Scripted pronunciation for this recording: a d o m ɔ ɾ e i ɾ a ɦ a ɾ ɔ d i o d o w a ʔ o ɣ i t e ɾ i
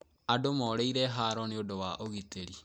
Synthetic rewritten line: a d o m ɔ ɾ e i ɾ ɛ ɦ a ɾ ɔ n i o d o w a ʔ o ɣ i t e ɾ i